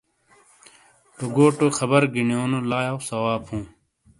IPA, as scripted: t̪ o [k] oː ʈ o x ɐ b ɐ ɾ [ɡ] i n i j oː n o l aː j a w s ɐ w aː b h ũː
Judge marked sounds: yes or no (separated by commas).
no, yes